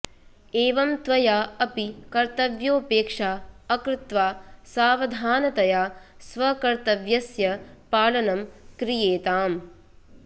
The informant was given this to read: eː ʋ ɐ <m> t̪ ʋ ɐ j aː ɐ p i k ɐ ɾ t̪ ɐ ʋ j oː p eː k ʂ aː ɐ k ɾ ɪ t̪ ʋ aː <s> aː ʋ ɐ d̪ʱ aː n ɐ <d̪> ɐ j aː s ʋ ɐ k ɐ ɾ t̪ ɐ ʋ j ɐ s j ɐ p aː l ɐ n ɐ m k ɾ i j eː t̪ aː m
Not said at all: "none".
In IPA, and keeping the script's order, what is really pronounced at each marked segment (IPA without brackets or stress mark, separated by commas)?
m, s, t̪